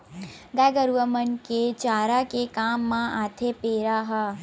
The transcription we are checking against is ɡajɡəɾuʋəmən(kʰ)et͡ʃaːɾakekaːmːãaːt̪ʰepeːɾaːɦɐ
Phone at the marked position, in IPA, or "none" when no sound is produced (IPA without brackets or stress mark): k